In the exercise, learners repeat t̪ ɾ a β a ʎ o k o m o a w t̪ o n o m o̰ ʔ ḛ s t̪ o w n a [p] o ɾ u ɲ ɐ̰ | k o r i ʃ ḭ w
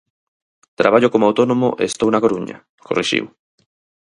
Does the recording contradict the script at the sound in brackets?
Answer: yes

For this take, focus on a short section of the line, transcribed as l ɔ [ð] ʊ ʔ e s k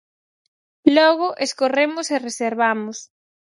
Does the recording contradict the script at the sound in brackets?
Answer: yes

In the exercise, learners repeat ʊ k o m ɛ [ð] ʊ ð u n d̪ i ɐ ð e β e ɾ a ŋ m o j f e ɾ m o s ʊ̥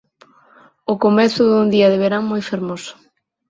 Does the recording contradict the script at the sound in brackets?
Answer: yes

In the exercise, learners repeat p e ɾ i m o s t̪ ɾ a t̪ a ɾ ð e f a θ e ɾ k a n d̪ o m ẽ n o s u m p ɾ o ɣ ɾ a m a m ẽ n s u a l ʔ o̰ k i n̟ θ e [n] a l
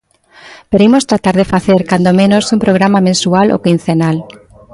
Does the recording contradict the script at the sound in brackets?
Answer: no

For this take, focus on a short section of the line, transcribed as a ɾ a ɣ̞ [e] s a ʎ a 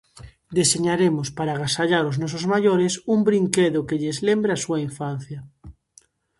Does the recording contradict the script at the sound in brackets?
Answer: yes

